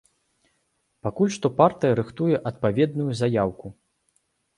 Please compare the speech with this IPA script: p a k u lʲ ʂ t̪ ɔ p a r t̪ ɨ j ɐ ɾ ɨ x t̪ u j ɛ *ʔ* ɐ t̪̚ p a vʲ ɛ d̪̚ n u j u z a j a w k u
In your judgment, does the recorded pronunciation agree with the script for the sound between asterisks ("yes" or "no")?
yes